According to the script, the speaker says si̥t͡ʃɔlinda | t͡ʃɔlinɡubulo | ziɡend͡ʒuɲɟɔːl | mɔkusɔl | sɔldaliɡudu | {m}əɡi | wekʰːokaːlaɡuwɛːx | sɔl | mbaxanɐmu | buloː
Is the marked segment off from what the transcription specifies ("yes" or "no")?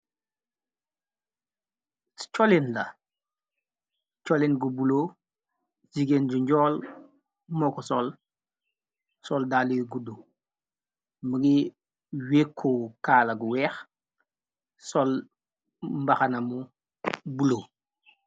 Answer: no